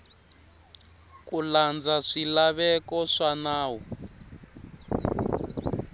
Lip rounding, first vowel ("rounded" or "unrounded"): rounded